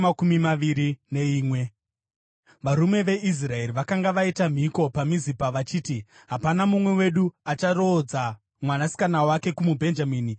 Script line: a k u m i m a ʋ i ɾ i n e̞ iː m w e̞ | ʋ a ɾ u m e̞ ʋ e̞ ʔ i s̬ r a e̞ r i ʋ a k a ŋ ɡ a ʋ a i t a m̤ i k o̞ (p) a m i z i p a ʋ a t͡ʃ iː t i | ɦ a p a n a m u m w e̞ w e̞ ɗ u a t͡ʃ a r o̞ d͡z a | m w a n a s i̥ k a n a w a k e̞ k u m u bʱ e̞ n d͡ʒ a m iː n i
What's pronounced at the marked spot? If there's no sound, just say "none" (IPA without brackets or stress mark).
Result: p